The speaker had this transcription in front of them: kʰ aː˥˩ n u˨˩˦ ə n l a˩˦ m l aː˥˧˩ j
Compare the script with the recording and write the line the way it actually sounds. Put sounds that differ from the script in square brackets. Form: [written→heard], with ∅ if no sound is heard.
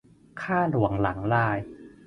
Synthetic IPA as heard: kʰ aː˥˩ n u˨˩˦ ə [n→ŋ] l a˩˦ [m→ŋ] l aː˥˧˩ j